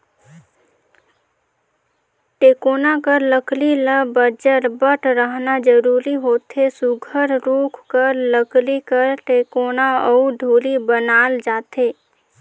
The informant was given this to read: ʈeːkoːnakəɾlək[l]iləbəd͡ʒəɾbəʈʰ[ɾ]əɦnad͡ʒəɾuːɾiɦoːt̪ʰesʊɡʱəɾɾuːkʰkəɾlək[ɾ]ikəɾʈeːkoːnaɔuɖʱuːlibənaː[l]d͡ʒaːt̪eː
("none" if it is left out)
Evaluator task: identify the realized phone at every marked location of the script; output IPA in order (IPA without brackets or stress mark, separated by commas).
l, ɾ, l, l